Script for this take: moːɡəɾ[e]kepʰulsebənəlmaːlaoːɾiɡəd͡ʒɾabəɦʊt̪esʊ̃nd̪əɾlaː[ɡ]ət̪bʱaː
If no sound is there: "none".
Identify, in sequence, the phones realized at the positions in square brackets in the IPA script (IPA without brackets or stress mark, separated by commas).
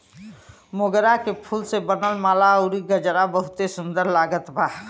a, ɡ